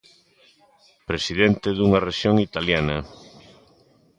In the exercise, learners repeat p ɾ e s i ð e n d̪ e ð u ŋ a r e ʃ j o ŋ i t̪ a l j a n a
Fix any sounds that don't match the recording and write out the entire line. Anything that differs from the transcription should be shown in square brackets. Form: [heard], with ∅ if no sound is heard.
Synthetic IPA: p ɾ e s i ð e n [t̪] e ð u ŋ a r e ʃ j o ŋ i t̪ a l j a n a